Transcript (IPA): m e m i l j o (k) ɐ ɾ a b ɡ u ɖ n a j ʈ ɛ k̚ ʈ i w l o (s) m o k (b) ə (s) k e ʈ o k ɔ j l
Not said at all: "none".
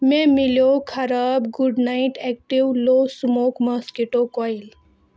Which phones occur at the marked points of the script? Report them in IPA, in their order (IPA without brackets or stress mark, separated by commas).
kʰ, s, m, s